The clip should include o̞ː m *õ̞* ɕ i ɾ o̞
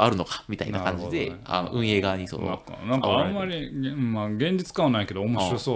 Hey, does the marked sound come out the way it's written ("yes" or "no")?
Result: no